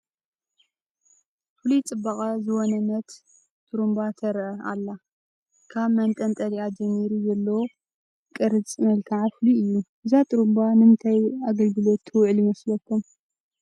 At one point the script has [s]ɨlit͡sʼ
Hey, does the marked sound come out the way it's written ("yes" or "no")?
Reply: no